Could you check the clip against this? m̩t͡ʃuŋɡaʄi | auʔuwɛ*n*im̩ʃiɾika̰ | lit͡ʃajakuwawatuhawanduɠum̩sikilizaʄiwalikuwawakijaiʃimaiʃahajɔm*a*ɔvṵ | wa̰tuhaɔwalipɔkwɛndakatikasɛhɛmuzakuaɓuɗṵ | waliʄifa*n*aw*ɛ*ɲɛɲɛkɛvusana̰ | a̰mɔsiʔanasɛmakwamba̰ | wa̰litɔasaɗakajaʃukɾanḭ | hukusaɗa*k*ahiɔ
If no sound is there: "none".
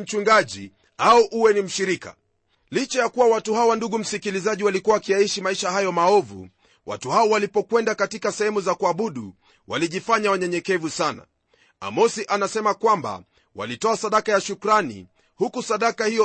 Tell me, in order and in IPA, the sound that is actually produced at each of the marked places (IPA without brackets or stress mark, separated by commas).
n, a, ɲ, a, k